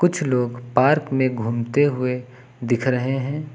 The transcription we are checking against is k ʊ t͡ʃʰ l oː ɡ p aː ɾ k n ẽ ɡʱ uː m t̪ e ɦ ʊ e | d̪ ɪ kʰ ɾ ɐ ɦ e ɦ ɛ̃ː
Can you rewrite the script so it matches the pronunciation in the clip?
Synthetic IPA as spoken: k ʊ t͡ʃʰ l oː ɡ p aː ɾ k m ẽ ɡʱ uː m t̪ e ɦ ʊ e | d̪ ɪ kʰ ɾ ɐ ɦ e ɦ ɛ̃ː